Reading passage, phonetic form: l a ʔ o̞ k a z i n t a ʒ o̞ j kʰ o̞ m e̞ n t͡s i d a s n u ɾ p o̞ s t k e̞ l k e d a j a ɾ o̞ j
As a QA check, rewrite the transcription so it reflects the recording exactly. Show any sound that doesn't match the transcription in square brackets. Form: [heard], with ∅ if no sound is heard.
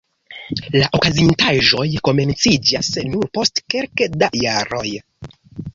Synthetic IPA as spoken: l a ʔ o̞ k a z i n t a ʒ o̞ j [k] o̞ m e̞ n t͡s i [d͡ʒ] a s n u ɾ p o̞ s t k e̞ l k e d a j a ɾ o̞ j

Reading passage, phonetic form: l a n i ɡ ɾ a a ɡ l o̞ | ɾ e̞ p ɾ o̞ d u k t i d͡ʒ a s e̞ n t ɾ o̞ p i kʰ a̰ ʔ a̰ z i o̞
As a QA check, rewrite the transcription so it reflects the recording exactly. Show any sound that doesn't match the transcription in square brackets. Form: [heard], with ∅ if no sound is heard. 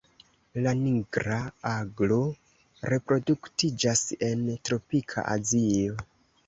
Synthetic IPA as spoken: l a n i ɡ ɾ a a ɡ l o̞ | ɾ e̞ p ɾ o̞ d u k t i d͡ʒ a s e̞ n t ɾ o̞ p i kʰ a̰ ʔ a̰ z i o̞

